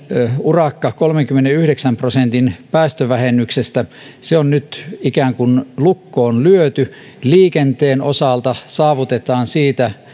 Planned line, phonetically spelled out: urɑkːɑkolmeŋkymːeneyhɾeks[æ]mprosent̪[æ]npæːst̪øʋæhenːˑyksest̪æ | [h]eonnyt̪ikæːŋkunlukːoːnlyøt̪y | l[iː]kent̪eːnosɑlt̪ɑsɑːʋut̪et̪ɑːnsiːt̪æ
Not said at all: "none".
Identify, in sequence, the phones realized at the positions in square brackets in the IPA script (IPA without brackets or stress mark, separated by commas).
æ, i, s, iː